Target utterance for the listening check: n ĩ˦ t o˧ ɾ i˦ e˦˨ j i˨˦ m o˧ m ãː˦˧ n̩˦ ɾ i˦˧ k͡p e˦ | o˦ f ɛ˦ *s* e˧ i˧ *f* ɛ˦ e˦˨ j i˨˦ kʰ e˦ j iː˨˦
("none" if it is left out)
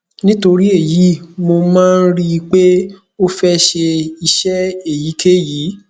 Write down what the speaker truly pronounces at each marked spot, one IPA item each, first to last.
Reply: ʃ, ʃ

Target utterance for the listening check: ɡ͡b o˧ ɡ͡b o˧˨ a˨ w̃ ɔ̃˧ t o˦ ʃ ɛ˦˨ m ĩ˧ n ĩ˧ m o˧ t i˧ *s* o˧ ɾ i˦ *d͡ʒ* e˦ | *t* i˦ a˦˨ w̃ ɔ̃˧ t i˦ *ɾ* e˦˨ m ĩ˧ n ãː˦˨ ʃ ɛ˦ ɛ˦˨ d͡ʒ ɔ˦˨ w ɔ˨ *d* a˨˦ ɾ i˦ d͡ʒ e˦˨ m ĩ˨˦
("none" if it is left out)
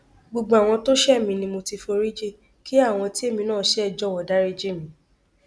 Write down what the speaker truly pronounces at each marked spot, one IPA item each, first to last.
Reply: f, d͡ʒ, k, none, d

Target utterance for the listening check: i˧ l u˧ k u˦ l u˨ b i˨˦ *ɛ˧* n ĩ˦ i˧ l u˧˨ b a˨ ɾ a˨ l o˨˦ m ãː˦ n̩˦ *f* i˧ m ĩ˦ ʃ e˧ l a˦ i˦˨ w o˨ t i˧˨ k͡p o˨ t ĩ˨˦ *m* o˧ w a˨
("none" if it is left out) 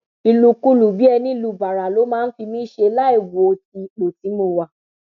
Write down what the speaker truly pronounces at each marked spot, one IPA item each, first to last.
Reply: ɛ˧, f, m

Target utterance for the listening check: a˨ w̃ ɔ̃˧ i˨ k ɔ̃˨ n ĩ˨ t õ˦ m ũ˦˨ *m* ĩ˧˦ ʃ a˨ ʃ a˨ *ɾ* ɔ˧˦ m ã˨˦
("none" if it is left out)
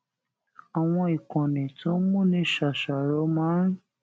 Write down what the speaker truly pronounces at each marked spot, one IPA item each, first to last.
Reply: n, ɾ

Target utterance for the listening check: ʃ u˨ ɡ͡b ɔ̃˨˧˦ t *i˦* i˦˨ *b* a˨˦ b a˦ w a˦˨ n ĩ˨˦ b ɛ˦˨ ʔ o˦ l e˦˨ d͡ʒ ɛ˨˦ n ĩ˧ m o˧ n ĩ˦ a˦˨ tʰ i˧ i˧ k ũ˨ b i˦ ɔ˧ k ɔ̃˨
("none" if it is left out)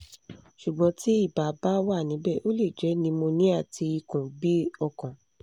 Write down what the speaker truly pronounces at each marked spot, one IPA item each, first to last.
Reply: i˦, b

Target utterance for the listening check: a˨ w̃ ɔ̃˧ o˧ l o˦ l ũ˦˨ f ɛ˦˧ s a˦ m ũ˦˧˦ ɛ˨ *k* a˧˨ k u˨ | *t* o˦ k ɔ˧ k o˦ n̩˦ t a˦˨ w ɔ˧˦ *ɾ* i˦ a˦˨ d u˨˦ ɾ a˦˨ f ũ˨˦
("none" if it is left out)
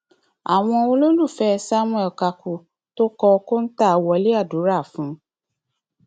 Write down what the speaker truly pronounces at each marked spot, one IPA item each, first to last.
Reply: k, t, l

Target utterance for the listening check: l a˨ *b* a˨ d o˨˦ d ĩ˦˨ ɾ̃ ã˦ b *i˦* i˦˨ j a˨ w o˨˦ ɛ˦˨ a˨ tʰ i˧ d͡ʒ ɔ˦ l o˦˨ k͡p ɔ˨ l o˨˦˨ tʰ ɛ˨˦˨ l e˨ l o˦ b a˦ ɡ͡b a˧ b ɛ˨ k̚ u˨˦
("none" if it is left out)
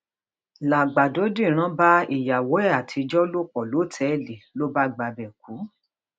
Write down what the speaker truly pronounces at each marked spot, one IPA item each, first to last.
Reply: ɡ͡b, a˦

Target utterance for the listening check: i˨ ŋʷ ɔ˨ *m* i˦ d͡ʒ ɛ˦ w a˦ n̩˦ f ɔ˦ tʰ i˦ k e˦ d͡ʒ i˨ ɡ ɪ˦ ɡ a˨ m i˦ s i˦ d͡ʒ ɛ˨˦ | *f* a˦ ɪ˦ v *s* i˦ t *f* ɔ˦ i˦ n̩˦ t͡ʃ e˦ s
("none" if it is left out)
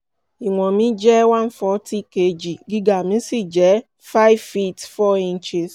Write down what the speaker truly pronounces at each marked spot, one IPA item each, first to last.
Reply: m, f, f, f

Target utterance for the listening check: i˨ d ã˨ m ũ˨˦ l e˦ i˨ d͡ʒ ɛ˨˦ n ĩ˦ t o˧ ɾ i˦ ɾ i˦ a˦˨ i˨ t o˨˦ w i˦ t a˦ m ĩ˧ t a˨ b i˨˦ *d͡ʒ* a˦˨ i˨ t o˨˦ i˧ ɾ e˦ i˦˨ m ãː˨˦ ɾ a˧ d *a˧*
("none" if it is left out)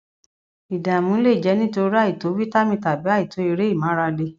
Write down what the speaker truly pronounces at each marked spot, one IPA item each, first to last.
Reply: none, e˧

